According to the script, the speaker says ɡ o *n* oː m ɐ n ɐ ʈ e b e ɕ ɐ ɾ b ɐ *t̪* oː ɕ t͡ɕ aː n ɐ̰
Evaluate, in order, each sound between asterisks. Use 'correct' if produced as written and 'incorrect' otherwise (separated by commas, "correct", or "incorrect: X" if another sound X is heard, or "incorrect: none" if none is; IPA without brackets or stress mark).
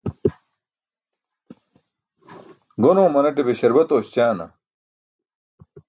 correct, correct